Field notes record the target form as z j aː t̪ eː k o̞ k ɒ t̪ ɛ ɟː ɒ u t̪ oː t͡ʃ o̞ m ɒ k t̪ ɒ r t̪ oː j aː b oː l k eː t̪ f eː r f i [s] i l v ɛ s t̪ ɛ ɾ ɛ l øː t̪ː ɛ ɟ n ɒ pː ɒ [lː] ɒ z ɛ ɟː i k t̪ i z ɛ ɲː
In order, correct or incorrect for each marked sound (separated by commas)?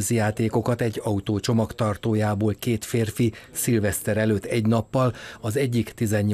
correct, incorrect